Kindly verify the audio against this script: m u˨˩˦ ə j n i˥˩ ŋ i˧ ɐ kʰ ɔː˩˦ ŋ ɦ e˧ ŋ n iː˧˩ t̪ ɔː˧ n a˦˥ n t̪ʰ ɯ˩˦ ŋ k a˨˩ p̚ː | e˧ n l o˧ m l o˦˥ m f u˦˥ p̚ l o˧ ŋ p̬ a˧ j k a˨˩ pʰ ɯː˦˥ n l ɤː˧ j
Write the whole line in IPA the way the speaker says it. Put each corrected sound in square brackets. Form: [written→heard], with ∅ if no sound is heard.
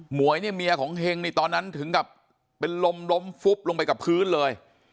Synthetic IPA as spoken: m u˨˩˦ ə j n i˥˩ [ŋ→m] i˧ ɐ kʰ ɔː˩˦ ŋ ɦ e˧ ŋ n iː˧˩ t̪ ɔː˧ [n→nː] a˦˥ n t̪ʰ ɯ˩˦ ŋ k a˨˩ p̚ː | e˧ n l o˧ m l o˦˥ m f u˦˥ p̚ l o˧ ŋ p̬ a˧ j k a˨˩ pʰ ɯː˦˥ n l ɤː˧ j